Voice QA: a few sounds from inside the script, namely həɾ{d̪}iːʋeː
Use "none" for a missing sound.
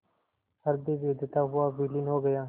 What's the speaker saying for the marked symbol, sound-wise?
d̪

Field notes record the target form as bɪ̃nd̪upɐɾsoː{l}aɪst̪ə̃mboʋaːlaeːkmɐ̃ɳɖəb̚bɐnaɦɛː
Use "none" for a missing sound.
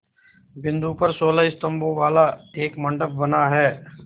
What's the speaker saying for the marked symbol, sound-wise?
l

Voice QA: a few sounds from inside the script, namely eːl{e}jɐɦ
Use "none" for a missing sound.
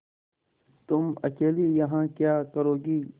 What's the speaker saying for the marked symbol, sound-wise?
i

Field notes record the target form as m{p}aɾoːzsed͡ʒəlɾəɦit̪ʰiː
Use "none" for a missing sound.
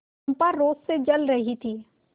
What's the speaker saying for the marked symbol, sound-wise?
p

